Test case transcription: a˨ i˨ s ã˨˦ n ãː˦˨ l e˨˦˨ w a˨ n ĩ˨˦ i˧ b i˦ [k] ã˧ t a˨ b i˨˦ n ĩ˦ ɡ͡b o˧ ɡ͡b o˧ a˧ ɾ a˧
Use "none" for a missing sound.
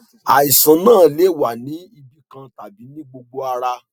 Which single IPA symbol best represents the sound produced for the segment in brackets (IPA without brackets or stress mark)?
k